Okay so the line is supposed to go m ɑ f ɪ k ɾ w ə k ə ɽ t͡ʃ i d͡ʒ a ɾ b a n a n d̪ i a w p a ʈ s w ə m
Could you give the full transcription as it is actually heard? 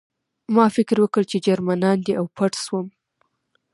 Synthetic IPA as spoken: m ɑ f ɪ k ɾ w ə k ə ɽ t͡ʃ e d͡ʒ a ɾ m a n ɑ n d̪ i a w p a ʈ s w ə m